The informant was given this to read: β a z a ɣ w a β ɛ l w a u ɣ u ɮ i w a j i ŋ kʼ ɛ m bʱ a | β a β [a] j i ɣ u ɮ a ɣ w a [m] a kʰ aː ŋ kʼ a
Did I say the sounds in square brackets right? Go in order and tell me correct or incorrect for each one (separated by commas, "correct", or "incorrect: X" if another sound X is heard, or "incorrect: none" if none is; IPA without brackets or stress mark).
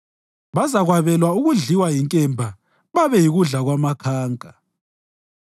incorrect: ɛ, correct